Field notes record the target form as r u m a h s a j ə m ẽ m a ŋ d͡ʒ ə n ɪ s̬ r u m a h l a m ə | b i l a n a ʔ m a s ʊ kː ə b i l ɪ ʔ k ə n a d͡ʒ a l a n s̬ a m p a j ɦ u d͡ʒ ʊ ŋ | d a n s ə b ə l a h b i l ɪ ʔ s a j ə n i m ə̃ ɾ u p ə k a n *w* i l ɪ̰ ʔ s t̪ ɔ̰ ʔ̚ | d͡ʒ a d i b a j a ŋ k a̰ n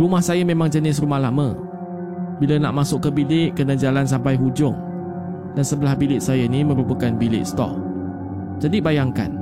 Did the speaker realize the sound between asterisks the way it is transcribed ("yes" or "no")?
no